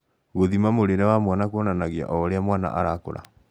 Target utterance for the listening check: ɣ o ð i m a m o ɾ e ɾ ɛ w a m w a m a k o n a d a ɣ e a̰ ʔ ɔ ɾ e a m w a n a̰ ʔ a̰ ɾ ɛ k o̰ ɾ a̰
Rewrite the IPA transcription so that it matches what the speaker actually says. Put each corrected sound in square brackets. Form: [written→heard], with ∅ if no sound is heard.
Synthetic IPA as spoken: ɣ o ð i m a m o ɾ e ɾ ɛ w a m w a [m→n] a k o n a [d→n] a ɣ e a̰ ʔ ɔ ɾ e a m w a n a̰ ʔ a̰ ɾ [ɛ→a] k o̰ ɾ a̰